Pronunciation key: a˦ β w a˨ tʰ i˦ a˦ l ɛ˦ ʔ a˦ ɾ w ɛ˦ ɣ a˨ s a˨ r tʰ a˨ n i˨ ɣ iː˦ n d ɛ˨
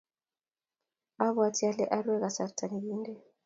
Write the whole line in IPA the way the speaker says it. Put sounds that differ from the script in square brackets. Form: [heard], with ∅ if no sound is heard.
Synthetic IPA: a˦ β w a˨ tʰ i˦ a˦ l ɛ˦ ʔ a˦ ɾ w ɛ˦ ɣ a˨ s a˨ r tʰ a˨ n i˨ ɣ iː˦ n d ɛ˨